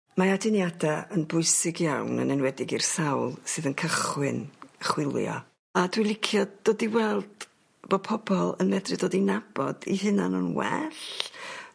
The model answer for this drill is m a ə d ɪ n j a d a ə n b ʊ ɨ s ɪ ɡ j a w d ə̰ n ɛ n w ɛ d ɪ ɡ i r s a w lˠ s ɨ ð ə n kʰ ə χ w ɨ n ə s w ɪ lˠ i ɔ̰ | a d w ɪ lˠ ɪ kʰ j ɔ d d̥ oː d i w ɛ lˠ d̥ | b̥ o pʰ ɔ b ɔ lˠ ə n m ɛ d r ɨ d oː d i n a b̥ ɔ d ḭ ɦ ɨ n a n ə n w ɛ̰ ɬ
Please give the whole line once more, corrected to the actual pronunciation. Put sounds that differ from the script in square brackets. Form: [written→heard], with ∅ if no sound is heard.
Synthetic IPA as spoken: m a [ə→a] d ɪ n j a d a ə n b ʊ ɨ s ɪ ɡ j a w [d→n] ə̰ n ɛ n w ɛ d ɪ ɡ i r s a w lˠ s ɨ ð ə n kʰ ə χ w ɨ n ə [s→χ] w ɪ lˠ [i→j] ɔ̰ | a d w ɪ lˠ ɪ kʰ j ɔ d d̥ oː d i w ɛ lˠ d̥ | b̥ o pʰ ɔ b ɔ lˠ ə n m ɛ d r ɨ d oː d i n a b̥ ɔ d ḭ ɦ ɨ n a n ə n w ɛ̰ ɬ